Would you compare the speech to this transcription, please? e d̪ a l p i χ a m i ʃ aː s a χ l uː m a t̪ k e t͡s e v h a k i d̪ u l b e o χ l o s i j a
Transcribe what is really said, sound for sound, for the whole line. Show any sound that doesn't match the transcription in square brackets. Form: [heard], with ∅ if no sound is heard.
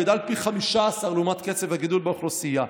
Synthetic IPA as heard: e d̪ a l p i χ a m i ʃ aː s a [ʁ] l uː m a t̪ k e t͡s e v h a [ɡ] i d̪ u l b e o χ l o s i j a